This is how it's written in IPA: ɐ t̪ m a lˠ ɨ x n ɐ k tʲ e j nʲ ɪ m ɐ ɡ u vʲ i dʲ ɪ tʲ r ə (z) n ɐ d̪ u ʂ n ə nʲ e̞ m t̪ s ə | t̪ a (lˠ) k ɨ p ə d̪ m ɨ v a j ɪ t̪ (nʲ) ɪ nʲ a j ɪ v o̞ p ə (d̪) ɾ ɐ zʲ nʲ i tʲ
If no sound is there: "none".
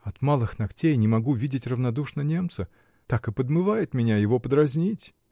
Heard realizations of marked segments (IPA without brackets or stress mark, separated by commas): v, none, mʲ, d̪